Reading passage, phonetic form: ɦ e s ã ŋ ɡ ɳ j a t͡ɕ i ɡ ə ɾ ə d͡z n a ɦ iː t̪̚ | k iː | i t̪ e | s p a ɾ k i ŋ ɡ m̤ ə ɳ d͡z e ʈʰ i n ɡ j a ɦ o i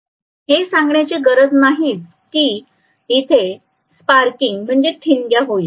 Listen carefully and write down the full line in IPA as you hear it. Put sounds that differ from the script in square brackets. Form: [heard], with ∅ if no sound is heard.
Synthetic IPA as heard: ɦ e s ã ŋ ɡ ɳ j a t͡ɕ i ɡ ə ɾ ə d͡z n a ɦ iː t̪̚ | k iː | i [t̪ʰ] e | s p a ɾ k i ŋ ɡ m̤ ə ɳ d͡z e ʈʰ i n ɡ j a ɦ o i